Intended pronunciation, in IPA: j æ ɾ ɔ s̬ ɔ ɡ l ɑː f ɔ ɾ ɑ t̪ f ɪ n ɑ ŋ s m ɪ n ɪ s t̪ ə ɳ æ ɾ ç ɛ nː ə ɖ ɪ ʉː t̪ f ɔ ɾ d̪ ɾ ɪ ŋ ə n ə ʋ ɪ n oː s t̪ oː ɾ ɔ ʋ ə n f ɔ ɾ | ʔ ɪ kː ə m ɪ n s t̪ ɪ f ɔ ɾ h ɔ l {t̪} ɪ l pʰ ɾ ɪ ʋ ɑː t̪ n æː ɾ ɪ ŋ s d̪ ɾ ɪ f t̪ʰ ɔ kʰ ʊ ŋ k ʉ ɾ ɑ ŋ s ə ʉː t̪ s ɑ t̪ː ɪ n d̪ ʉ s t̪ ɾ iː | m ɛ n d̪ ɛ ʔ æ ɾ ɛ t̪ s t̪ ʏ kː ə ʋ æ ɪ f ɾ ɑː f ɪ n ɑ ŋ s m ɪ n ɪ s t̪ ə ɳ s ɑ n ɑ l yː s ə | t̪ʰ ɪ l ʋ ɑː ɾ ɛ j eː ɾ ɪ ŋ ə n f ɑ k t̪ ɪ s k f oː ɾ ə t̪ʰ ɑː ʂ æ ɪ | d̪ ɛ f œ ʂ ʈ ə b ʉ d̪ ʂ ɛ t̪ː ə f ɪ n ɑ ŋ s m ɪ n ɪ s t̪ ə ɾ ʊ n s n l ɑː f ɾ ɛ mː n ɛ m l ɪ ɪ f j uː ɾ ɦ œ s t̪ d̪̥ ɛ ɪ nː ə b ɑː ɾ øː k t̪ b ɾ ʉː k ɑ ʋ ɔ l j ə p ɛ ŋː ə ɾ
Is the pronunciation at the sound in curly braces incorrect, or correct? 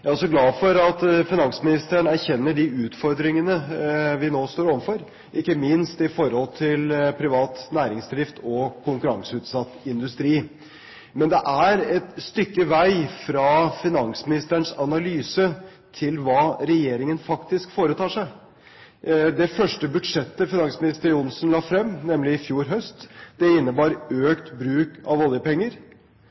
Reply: incorrect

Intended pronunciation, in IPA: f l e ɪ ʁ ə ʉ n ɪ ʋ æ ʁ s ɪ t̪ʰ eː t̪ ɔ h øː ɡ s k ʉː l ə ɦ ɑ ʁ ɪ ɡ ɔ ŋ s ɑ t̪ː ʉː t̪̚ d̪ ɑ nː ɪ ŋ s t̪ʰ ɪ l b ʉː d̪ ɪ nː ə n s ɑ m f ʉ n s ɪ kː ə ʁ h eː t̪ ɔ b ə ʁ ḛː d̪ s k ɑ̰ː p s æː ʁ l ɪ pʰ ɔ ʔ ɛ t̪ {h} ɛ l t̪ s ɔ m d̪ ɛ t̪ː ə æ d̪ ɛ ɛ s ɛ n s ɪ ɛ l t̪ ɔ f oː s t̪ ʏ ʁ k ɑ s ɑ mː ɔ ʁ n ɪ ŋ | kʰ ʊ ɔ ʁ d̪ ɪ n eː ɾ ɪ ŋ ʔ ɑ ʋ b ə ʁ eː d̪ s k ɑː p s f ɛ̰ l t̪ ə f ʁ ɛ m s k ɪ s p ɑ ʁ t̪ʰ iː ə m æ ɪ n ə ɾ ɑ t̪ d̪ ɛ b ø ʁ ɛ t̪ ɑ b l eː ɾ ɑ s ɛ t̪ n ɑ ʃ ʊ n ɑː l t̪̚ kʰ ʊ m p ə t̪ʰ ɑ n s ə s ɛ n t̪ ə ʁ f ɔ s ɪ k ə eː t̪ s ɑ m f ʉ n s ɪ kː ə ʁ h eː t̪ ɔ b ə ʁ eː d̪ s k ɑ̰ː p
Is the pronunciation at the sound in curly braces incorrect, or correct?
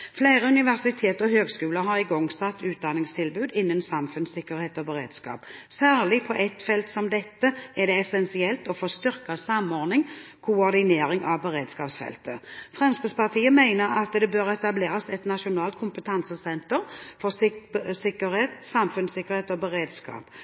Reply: incorrect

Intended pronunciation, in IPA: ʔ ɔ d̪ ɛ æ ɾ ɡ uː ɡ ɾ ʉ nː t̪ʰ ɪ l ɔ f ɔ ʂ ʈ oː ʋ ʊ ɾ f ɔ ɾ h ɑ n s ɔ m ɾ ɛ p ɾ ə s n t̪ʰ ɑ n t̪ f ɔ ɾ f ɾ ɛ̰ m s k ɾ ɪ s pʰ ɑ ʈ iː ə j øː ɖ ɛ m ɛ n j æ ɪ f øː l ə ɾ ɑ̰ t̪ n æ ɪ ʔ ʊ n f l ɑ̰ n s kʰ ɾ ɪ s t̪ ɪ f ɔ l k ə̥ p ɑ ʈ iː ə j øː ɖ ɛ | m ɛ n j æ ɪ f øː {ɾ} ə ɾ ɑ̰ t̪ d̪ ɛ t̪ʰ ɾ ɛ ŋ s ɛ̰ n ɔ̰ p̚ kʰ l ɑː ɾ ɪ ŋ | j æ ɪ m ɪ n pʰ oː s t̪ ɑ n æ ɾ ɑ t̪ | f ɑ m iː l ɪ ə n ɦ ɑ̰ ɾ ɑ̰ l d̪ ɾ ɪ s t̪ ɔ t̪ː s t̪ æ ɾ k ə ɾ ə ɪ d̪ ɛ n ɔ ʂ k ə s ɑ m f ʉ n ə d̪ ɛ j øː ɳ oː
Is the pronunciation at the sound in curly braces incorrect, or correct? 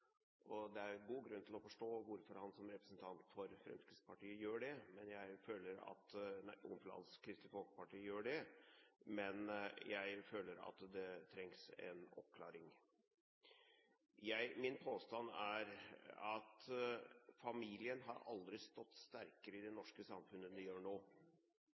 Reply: incorrect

